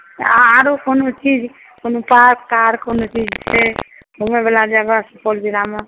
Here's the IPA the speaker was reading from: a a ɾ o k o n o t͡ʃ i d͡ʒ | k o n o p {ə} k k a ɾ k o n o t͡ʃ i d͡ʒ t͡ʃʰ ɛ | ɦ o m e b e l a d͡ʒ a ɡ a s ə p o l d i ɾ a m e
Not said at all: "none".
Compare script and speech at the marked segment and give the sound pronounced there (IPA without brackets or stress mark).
a